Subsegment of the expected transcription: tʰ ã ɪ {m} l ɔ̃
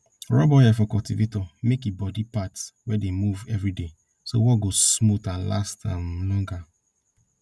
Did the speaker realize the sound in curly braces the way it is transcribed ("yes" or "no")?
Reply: yes